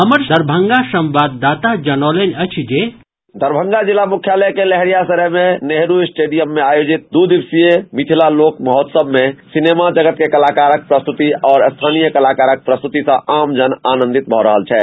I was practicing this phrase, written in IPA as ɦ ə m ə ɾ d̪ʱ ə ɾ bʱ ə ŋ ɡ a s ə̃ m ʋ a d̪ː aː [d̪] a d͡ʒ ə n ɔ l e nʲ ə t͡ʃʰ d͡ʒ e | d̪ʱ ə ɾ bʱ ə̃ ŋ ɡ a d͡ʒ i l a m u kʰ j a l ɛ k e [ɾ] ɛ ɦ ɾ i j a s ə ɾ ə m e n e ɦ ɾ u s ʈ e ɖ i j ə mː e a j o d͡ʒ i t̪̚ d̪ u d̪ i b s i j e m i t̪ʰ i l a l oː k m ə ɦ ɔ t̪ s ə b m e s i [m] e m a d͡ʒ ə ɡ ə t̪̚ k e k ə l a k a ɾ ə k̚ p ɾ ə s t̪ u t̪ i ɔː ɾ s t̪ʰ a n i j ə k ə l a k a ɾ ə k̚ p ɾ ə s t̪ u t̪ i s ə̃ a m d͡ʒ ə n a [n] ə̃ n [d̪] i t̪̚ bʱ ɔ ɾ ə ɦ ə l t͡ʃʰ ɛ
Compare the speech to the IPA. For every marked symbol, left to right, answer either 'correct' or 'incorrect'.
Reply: incorrect, incorrect, incorrect, correct, correct

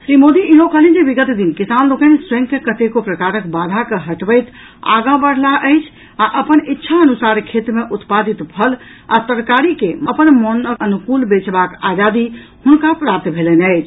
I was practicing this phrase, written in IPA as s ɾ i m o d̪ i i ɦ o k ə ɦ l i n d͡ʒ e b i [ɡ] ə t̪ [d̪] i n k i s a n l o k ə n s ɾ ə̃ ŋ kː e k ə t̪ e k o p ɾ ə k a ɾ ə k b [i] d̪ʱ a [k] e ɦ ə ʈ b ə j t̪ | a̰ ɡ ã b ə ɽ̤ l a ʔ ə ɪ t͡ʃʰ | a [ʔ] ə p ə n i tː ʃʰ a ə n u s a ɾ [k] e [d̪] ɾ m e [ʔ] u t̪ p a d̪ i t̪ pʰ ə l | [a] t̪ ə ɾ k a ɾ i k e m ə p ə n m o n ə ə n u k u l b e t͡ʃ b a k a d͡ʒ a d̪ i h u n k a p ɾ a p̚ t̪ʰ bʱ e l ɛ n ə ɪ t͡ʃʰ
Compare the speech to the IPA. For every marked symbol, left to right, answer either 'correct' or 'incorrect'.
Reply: correct, correct, incorrect, correct, correct, incorrect, incorrect, correct, correct

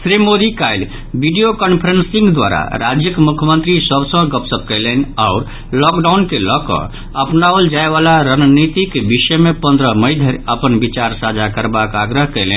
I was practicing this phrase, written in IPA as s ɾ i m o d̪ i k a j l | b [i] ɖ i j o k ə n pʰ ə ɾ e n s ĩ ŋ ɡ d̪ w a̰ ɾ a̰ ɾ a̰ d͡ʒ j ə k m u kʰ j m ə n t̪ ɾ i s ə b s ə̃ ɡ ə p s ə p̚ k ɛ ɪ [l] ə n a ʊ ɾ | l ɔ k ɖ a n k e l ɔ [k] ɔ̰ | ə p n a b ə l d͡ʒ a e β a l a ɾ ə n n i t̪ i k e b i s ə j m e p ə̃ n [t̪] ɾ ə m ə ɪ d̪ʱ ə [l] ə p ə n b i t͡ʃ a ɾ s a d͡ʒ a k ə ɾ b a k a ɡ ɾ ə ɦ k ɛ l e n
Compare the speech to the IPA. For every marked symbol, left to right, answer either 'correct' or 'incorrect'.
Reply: correct, correct, correct, incorrect, incorrect

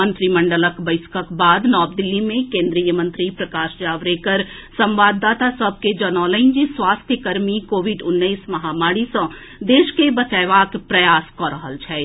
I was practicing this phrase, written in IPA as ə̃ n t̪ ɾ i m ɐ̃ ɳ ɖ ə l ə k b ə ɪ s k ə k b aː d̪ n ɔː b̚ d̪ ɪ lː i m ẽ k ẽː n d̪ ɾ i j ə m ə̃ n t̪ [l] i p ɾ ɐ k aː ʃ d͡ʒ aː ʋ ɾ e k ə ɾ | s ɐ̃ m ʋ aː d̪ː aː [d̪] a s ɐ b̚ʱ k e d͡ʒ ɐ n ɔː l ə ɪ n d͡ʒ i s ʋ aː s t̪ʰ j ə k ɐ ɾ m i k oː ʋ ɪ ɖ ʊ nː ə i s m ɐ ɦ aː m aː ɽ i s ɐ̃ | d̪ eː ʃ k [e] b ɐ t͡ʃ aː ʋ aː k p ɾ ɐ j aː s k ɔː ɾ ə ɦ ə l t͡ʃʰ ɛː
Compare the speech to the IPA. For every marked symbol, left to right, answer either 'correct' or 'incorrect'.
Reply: incorrect, incorrect, correct

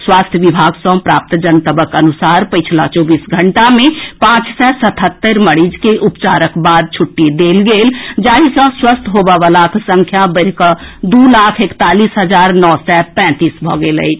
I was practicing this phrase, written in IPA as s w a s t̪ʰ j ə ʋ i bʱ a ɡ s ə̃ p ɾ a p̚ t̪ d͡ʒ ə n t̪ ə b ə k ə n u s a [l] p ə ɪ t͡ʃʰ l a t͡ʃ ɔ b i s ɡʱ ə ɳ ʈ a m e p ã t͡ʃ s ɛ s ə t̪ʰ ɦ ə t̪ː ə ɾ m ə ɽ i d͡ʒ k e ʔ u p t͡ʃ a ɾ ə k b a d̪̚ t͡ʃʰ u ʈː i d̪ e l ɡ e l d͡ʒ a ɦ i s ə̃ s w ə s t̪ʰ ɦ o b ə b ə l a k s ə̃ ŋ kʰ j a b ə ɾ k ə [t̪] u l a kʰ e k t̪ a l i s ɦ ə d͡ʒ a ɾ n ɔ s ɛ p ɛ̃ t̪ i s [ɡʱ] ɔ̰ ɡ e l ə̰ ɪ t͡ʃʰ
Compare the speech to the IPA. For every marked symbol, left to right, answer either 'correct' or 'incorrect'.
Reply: incorrect, incorrect, incorrect

